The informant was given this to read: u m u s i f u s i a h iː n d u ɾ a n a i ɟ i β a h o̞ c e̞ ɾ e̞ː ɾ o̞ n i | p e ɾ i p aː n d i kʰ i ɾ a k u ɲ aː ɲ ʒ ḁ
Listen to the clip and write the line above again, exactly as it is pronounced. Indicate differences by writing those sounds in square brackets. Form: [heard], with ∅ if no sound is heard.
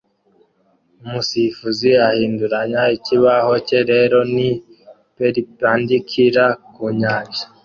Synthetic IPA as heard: u m u s i f u [z] i a h iː n d u ɾ a [ɲ] a i [c] i β a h o̞ c e̞ ɾ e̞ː ɾ o̞ n i | p e ɾ i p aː n d i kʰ i ɾ a k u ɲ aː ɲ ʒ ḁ